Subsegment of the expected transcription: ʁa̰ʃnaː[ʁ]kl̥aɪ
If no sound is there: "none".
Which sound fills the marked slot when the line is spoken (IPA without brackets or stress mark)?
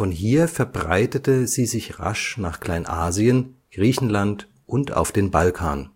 χ